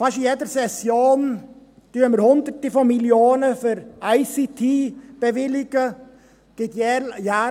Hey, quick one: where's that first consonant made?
lips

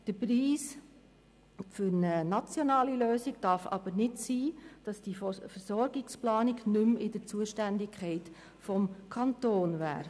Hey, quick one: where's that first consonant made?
tongue tip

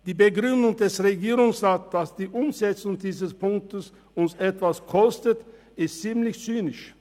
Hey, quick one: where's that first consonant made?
tongue tip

